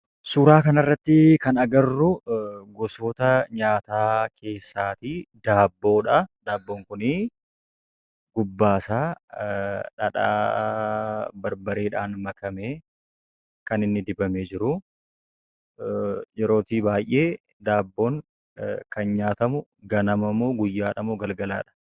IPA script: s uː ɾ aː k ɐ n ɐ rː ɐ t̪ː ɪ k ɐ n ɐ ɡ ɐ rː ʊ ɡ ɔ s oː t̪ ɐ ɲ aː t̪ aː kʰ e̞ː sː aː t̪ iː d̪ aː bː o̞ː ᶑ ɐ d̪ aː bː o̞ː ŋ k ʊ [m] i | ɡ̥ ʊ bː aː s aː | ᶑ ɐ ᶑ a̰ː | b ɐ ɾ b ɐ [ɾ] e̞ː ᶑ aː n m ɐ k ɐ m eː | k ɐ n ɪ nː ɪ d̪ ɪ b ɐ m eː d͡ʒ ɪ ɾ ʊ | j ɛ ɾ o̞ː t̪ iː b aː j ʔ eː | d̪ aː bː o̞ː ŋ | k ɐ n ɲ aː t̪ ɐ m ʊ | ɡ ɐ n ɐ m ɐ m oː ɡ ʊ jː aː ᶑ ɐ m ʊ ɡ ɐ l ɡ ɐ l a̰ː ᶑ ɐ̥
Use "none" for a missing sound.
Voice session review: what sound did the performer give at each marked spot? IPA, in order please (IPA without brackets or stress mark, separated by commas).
n, ɾ